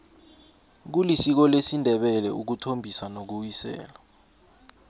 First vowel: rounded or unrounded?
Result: rounded